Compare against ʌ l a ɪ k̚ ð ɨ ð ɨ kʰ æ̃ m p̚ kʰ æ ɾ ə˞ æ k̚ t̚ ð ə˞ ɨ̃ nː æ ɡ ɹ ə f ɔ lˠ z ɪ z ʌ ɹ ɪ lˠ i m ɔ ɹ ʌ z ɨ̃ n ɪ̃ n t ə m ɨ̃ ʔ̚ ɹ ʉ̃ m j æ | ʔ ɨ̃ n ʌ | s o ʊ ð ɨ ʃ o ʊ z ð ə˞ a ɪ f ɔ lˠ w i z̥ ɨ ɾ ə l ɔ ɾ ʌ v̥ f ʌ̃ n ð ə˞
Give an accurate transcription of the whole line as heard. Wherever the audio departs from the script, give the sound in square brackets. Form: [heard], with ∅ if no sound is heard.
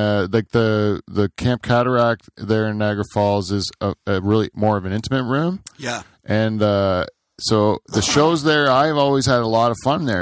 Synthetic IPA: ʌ l a ɪ k̚ ð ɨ ð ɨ kʰ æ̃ m p̚ kʰ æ ɾ ə˞ æ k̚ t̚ ð ə˞ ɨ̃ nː æ ɡ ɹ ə f ɔ lˠ z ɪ z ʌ ɹ ɪ lˠ i m ɔ ɹ ʌ [v] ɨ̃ n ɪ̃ n t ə m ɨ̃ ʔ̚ ɹ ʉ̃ m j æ | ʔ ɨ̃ n ʌ | s o ʊ ð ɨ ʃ o ʊ z ð ə˞ a ɪ [v] ɔ lˠ w i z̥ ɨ ɾ ə l ɔ ɾ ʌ v̥ f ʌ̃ n ð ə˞